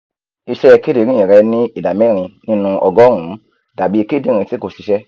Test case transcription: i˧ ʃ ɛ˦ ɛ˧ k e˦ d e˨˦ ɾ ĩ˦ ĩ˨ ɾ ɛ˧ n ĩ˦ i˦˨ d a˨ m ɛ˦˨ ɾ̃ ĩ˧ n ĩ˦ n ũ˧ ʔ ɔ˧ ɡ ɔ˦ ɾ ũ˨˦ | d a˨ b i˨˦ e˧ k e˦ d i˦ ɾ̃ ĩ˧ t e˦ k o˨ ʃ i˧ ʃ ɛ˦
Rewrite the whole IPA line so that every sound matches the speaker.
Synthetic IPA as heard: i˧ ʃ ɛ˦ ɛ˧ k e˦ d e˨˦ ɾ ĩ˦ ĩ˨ ɾ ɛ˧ n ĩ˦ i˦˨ d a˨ m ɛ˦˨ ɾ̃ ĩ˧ n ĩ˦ n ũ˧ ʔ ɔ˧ ɡ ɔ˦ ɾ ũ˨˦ | d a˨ b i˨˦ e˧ k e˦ d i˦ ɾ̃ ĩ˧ t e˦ k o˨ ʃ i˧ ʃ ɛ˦